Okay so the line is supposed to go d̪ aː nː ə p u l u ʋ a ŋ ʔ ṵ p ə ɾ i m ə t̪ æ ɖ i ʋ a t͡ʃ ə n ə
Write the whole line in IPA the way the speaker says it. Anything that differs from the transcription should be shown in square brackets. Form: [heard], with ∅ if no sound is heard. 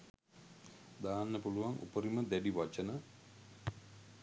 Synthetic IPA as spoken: d̪ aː nː ə p u l u ʋ a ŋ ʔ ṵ p ə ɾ i m ə [d̪] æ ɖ i ʋ a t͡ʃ ə n ə